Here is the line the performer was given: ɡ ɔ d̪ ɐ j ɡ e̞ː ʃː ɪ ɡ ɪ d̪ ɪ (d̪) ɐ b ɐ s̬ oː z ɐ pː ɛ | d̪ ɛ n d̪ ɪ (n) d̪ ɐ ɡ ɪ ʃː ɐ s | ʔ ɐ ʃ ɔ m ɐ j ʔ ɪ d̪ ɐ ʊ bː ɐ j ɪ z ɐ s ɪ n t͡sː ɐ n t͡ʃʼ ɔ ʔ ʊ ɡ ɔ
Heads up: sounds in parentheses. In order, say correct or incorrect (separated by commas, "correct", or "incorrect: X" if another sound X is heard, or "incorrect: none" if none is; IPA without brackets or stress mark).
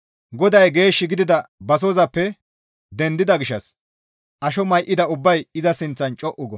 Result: correct, incorrect: none